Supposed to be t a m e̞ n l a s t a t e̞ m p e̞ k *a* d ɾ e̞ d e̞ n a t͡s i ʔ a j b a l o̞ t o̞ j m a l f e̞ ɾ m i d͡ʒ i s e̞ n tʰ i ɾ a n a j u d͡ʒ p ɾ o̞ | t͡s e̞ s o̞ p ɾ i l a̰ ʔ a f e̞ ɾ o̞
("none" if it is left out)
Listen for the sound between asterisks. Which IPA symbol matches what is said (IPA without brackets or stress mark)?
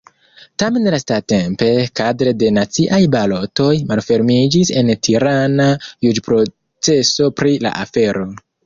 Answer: a